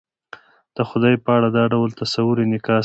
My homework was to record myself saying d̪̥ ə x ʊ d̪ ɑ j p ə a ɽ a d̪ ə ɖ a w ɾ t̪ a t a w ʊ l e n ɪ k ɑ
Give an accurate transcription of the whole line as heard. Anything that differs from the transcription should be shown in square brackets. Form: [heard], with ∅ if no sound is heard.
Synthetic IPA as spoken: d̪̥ ə x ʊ d̪ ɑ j p ə a ɽ a d̪ [ɑ] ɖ a w [l] t̪ a [s] a w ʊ [ɾ] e n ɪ k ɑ